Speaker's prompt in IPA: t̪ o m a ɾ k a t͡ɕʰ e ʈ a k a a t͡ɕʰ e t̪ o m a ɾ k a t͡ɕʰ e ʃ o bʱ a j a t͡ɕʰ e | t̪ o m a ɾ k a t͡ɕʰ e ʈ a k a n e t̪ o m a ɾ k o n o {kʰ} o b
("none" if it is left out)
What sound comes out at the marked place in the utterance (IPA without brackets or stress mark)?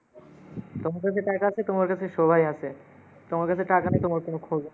kʰ